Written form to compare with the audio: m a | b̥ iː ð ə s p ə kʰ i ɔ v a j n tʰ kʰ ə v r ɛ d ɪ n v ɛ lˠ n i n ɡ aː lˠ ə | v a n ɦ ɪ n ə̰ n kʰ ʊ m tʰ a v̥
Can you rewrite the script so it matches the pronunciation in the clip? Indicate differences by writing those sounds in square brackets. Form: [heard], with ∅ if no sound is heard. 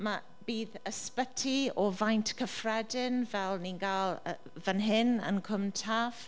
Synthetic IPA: m a | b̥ iː ð ə s p ə [tʰ] i ɔ v a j n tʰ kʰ ə [f] r ɛ d ɪ n v ɛ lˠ n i n ɡ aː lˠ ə | v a n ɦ ɪ n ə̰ n kʰ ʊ m tʰ a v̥